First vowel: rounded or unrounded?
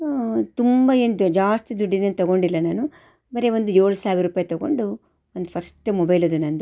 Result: rounded